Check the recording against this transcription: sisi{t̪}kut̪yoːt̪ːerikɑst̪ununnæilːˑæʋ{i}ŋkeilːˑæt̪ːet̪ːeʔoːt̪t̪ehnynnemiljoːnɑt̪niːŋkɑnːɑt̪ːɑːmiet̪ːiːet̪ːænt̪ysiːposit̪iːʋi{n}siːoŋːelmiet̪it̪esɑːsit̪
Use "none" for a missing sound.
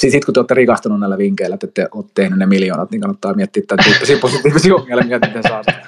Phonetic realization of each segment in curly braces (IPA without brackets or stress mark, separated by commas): t̪, i, none